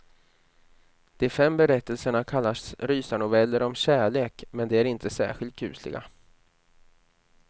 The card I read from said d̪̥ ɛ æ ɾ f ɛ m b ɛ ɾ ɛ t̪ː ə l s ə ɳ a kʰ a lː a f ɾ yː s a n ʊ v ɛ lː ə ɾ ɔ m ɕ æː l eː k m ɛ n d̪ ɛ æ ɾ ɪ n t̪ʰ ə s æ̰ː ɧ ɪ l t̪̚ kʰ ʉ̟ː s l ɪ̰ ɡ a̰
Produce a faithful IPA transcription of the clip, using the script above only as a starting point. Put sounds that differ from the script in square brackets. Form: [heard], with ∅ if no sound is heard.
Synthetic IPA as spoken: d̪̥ ɛ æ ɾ f ɛ m b ɛ ɾ ɛ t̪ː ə l s ə ɳ a kʰ a lː a [s] ɾ yː s a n ʊ v ɛ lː ə ɾ ɔ m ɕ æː [ɭ] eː k m ɛ n d̪ ɛ æ ɾ ɪ n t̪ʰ ə s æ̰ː ɧ ɪ l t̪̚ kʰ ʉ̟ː s l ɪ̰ ɡ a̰